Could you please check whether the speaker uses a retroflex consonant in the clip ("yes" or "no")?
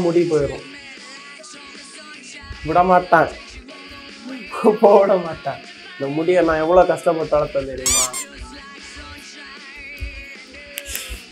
yes